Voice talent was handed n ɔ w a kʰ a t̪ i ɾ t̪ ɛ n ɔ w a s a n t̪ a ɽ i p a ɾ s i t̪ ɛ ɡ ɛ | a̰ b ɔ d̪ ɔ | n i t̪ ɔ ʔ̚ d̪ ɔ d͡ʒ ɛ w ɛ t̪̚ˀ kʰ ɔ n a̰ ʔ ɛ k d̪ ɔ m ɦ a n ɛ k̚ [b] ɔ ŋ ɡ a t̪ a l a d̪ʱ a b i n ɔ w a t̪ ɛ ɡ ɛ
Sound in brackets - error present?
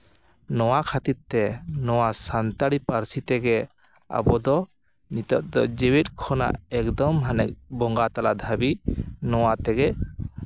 no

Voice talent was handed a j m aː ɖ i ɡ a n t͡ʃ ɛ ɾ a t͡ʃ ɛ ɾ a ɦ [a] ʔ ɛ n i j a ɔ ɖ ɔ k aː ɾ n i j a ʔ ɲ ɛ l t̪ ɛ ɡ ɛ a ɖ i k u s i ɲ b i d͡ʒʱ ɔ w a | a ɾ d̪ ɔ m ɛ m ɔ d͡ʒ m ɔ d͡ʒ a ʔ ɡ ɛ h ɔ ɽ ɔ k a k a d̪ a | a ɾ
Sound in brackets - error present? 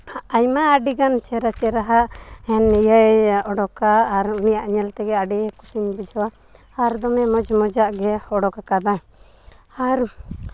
no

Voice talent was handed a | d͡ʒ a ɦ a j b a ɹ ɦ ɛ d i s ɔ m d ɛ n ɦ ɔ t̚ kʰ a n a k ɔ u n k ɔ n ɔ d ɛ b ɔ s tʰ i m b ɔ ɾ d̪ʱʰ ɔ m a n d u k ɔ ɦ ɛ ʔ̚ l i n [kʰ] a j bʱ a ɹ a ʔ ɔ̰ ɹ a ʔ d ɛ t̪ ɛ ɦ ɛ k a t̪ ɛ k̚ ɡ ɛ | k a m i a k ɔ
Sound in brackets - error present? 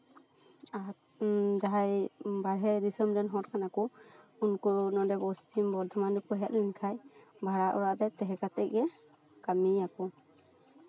no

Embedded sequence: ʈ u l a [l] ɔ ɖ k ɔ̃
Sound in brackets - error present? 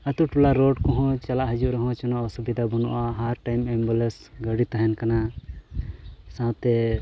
yes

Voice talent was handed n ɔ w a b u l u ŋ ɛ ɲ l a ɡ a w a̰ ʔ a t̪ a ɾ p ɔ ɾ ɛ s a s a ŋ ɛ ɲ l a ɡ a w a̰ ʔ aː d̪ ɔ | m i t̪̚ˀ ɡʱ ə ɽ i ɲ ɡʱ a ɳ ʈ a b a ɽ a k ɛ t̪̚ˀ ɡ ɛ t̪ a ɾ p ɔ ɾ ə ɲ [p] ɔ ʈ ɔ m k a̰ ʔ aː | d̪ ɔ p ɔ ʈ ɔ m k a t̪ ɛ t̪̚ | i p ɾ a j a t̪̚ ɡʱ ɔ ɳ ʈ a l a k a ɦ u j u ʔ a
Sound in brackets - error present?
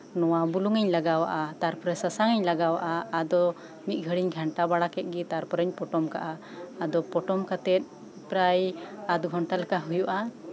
no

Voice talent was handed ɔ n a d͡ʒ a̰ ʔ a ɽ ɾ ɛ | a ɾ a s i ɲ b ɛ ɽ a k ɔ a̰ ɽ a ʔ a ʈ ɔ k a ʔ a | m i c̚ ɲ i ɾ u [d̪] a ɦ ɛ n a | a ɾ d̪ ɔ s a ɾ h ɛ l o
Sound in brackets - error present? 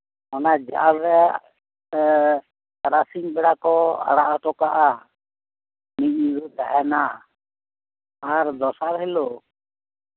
yes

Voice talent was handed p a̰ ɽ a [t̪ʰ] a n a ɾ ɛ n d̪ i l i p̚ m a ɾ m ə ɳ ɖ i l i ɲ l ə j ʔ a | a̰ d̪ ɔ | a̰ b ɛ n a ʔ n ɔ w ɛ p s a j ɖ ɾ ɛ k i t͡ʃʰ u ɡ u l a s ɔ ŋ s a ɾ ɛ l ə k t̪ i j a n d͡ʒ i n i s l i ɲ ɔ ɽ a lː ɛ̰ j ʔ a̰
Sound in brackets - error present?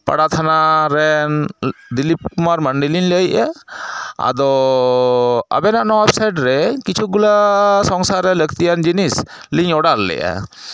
no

